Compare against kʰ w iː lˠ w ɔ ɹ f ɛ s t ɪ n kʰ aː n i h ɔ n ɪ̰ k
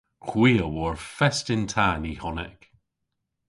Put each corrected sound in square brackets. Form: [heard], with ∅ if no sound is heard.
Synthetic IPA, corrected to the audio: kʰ w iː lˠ w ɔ ɹ f ɛ s t ɪ n [tʰ] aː n i h ɔ n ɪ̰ k

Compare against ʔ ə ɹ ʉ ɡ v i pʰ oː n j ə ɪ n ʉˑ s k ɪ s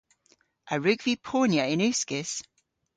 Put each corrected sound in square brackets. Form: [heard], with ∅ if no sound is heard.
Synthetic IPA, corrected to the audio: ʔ ə ɹ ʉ ɡ v i pʰ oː n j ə ɪ n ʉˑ s k ɪ s

